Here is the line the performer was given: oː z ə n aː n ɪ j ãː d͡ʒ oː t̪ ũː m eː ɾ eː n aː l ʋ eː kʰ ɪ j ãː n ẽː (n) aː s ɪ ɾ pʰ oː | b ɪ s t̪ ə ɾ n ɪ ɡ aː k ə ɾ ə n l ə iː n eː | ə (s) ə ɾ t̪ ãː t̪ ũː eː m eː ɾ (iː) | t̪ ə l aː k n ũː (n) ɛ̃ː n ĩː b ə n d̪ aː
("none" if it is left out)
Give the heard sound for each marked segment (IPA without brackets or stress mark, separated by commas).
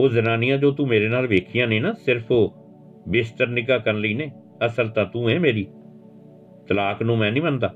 n, s, iː, m